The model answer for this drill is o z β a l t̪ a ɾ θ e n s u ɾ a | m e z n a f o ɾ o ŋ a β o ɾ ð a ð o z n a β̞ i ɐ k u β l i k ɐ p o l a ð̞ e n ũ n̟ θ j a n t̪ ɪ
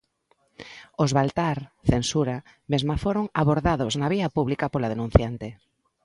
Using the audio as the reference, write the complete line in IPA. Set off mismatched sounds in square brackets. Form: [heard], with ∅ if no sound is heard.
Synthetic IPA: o z β a l t̪ a ɾ θ e n s u ɾ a | m e z [m] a f o ɾ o ŋ a β o ɾ ð a ð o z n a β̞ i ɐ [p] u β l i k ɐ p o l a ð̞ e n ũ n̟ θ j a n t̪ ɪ